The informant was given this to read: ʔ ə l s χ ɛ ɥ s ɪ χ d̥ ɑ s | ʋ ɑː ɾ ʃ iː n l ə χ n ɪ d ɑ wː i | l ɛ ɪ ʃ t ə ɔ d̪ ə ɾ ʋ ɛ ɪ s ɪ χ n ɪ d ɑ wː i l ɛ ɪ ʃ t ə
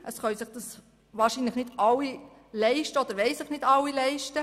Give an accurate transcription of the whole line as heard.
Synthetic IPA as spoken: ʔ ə s χ œ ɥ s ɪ χ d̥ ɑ s | ʋ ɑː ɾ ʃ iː n l ə χ n ɪ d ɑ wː i | l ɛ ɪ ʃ t ə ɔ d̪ ə ɾ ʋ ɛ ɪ s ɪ χ n ɪ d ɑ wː i l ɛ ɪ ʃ t ə

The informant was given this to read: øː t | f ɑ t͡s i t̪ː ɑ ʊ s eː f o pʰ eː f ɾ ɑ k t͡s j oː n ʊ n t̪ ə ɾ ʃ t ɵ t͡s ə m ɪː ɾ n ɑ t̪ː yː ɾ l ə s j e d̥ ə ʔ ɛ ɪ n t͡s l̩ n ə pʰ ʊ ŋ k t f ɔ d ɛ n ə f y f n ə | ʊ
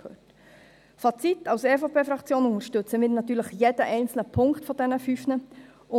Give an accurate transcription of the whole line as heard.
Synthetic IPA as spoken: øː t | f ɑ t͡s i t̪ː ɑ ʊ s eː f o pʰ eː f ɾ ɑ k t͡s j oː n ʊ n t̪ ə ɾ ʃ t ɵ t͡s ə m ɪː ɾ n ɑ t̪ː yː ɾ l ə χ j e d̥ ə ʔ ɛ ɪ n t͡s l̩ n ə pʰ ʊ ŋ k t f ɔ d ɛ n ə f y f n ə | ʊ

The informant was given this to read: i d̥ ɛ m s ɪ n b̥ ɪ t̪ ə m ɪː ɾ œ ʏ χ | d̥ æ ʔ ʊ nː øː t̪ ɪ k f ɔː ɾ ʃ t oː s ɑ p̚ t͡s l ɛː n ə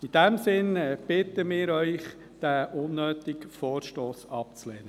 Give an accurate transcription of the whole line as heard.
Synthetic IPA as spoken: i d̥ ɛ m s ɪ n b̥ ɪ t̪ ə m ɪː ɾ œ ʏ χ | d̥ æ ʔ ʊ nː øː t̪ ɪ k f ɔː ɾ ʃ t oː s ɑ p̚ t͡s l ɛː n ə

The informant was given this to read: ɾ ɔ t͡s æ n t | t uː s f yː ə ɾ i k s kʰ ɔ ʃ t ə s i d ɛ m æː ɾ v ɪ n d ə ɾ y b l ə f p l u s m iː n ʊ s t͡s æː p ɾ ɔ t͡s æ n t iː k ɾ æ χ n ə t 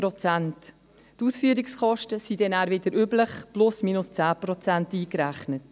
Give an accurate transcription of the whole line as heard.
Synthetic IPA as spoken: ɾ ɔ t͡s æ n t | t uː s f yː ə ɾ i k s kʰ ɔ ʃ t ə s i d ɛ n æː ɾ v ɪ d ə ɾ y b l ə χ p l ʊ s m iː n ʊ s t͡s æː p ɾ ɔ t͡s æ n t iː k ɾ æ χ n ə t

